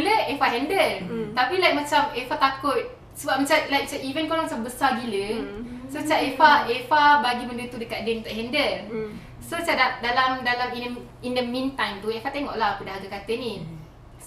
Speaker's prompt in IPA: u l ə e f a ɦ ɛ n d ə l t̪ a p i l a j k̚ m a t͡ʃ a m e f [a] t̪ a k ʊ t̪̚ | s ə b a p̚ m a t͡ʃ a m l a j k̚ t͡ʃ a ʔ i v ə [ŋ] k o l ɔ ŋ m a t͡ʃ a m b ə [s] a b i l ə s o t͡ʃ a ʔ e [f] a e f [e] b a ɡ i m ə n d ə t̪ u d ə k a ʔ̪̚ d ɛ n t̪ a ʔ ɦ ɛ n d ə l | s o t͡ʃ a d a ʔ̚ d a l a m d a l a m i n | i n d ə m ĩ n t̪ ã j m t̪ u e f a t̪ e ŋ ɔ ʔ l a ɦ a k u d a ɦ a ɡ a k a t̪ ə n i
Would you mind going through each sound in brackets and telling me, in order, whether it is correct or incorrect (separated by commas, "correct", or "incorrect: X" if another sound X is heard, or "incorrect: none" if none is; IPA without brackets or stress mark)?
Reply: correct, incorrect: n, correct, correct, incorrect: a